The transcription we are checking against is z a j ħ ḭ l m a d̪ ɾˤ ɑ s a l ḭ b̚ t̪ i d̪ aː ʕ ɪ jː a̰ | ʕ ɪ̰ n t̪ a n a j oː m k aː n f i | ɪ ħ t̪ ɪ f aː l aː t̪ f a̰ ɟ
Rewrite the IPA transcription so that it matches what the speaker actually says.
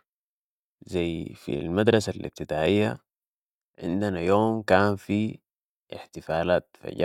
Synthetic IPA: z a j f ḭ l m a d̪ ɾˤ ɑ s a l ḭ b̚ t̪ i d̪ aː ʕ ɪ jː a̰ | ʕ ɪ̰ n d̪ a n a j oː m k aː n f i | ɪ ħ t̪ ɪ f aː l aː t̪ f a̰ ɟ